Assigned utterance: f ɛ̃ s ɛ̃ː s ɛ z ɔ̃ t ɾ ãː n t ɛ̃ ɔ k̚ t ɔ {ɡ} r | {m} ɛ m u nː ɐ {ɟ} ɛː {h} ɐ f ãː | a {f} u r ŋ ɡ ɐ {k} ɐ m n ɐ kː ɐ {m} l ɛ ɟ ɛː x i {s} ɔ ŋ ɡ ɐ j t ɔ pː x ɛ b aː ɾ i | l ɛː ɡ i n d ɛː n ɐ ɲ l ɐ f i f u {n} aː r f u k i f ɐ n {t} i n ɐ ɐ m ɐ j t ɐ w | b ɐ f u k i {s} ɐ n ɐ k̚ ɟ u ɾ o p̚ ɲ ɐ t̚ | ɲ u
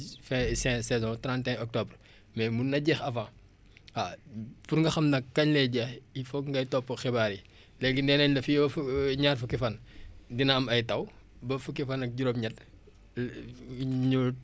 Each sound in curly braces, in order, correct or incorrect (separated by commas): incorrect, correct, correct, incorrect, correct, incorrect, incorrect, incorrect, incorrect, incorrect, incorrect